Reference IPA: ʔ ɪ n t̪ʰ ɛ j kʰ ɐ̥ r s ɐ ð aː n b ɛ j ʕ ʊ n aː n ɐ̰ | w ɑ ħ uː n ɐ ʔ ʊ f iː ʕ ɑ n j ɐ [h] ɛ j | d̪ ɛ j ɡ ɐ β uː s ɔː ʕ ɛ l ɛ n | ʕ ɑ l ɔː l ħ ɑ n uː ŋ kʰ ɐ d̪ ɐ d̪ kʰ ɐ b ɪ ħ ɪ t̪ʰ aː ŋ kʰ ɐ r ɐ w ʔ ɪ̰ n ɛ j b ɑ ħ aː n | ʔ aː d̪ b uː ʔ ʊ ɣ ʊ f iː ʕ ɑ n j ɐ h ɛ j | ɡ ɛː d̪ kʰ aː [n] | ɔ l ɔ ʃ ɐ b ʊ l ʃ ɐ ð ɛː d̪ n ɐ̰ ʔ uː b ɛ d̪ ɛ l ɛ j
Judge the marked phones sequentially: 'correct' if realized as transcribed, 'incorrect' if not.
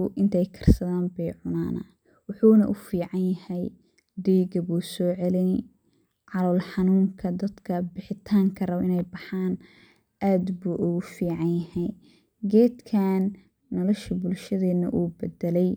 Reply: correct, incorrect

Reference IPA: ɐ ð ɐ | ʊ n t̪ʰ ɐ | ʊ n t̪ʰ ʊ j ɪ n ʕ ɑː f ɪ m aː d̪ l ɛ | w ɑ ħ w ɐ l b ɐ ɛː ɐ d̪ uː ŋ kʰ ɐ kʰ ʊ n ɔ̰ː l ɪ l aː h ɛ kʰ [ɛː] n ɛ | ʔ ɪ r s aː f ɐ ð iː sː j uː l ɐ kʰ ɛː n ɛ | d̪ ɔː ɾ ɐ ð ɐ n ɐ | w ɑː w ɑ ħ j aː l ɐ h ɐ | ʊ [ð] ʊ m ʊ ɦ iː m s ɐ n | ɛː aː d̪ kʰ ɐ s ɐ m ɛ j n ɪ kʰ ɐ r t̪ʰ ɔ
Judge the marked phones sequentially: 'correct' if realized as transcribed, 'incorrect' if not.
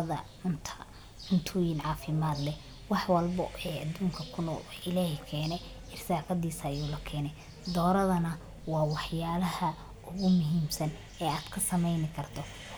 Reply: correct, incorrect

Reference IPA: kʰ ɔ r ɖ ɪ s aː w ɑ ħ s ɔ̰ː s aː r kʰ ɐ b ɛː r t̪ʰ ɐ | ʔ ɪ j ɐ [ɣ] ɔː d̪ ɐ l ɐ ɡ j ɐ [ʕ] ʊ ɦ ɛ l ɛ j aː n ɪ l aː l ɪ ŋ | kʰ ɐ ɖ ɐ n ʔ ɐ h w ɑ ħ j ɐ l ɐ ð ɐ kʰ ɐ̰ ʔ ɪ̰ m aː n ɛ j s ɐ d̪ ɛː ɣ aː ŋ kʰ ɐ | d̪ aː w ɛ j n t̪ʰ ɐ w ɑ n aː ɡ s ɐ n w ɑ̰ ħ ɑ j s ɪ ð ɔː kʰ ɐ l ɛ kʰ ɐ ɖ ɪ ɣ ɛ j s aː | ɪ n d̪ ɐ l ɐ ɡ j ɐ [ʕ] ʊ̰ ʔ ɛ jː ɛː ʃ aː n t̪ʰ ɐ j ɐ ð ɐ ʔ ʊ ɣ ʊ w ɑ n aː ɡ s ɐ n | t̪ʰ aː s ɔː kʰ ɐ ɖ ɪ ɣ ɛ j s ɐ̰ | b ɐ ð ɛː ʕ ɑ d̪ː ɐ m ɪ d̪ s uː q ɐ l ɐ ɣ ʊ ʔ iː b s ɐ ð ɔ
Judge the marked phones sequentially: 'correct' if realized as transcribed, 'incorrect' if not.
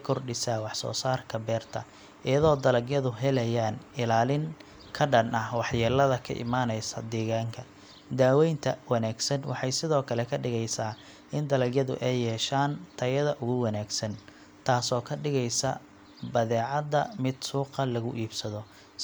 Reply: incorrect, incorrect, incorrect

